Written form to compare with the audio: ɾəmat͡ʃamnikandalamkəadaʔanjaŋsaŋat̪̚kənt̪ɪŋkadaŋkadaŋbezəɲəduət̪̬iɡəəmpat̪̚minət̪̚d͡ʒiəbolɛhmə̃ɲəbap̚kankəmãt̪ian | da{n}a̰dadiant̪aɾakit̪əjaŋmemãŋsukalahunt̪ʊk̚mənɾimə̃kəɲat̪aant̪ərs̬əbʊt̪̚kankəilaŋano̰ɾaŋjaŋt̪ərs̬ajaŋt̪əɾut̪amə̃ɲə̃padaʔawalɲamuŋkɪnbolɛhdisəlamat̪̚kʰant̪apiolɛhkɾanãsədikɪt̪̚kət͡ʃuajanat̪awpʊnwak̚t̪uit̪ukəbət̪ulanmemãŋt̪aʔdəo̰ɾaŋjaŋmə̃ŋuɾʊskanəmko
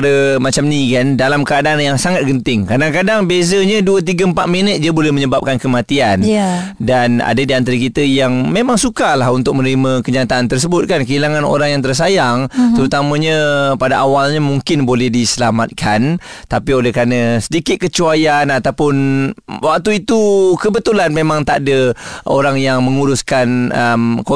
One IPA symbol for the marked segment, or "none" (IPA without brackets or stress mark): n